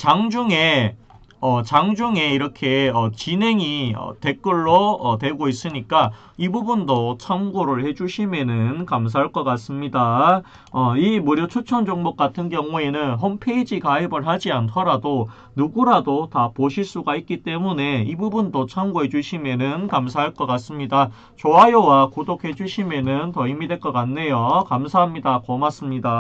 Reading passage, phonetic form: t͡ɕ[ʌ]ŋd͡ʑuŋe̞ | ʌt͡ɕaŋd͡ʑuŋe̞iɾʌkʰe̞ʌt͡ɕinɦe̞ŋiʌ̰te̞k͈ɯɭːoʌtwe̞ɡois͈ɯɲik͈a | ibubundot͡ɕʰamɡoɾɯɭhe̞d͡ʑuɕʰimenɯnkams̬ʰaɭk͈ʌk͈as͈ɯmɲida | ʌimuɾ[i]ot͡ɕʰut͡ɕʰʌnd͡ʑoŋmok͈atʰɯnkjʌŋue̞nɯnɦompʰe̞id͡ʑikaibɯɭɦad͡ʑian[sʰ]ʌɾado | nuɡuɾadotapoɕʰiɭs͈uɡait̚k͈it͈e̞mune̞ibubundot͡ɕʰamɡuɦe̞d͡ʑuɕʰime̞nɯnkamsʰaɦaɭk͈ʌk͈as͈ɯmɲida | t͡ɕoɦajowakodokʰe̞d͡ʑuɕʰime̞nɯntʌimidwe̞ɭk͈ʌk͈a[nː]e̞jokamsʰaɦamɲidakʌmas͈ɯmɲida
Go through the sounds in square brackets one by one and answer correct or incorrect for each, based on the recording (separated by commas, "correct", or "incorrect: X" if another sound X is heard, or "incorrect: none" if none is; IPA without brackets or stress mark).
incorrect: a, incorrect: j, incorrect: tʰ, correct